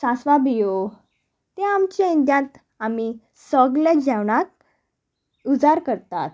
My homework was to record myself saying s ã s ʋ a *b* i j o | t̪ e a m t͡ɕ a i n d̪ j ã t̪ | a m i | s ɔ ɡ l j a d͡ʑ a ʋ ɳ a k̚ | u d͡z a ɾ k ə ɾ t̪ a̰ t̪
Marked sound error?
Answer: no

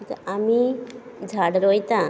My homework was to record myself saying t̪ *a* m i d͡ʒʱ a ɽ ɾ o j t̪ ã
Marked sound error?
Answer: no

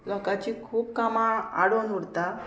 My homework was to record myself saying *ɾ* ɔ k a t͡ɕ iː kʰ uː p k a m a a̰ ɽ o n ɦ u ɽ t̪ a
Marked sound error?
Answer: yes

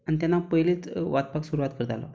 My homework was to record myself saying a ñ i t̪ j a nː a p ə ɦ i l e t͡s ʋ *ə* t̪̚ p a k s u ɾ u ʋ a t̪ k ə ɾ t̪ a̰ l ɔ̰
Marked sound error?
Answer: yes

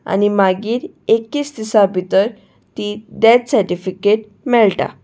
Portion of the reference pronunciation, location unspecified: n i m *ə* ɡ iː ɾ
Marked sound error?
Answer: yes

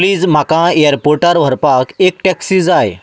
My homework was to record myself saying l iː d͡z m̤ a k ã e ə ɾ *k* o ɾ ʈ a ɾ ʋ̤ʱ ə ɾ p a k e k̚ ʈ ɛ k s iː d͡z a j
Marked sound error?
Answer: yes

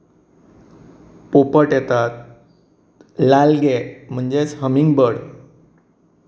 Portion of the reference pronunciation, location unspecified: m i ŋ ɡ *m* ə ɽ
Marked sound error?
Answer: yes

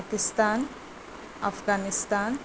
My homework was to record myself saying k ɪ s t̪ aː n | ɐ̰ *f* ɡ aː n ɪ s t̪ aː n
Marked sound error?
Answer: no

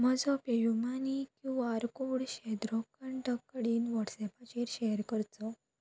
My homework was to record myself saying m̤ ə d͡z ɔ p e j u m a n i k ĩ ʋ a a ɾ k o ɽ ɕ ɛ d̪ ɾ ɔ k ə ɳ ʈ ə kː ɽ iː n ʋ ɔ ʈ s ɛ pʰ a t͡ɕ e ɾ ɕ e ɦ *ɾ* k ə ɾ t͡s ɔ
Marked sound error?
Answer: no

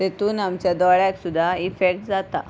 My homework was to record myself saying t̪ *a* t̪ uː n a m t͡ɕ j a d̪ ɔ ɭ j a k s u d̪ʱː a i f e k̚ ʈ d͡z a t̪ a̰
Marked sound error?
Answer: yes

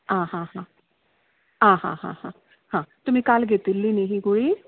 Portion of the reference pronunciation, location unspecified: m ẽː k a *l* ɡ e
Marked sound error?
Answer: no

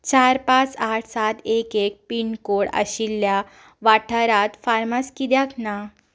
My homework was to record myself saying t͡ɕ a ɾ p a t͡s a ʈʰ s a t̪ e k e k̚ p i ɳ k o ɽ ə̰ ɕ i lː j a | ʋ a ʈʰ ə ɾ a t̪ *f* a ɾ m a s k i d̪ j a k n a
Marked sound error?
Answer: no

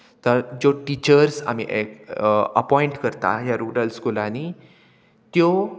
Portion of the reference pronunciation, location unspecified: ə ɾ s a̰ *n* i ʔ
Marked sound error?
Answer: yes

